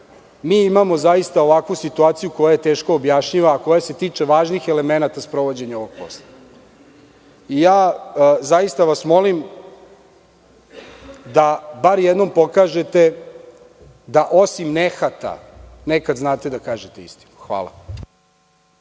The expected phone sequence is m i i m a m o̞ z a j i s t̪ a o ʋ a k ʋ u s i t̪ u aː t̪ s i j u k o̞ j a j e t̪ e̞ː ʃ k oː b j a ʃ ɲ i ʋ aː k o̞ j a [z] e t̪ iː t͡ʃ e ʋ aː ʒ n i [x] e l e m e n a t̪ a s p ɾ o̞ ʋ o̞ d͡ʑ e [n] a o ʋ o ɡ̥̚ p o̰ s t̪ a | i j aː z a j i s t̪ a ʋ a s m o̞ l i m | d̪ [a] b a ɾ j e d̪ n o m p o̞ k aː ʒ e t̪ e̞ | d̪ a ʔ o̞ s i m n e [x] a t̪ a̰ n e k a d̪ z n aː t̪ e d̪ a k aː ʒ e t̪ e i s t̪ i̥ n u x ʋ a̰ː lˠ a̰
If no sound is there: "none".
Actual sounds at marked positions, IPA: s, x, ɲ, a, x

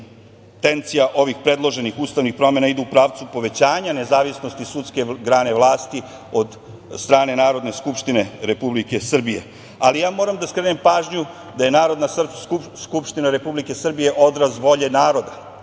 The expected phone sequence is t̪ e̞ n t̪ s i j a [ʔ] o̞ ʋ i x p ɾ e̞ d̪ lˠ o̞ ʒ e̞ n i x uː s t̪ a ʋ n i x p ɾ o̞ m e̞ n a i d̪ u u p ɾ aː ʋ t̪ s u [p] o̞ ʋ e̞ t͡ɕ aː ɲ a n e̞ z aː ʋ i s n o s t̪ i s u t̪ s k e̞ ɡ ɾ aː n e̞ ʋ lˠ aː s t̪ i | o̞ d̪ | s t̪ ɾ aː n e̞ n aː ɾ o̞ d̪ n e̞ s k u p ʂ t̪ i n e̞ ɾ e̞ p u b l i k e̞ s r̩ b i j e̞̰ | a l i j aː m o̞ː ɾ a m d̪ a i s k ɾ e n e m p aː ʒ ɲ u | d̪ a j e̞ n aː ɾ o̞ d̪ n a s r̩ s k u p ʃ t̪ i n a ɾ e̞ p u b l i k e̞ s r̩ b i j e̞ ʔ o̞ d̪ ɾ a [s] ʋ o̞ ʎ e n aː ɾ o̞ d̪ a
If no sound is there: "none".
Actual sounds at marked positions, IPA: ʔ, p, z

